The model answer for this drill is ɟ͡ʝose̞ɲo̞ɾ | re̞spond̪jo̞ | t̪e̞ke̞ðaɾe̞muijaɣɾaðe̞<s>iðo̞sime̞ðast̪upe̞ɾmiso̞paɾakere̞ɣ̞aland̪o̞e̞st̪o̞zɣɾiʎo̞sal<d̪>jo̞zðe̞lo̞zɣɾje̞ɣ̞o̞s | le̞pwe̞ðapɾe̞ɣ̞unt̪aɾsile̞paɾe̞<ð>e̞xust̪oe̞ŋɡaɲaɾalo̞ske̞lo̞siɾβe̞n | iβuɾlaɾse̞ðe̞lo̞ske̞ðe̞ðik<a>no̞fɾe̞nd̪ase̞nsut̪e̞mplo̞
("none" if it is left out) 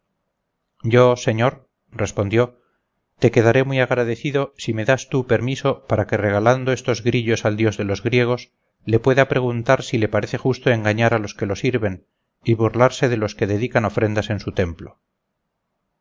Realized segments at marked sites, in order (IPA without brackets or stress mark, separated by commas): θ, d̪, θ, a